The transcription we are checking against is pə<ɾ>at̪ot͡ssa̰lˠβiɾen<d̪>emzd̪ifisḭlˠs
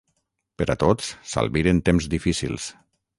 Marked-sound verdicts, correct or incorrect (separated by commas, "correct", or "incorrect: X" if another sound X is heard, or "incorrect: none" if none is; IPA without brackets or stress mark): correct, incorrect: t̪